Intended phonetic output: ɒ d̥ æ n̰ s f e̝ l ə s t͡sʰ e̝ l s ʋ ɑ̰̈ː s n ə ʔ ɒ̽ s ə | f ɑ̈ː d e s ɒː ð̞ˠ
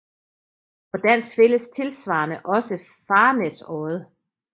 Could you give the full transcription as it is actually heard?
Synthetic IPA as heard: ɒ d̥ æ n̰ s f e̝ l ə s t͡sʰ e̝ l s ʋ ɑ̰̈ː n ə ʔ ɒ̽ s ə | f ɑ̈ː n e s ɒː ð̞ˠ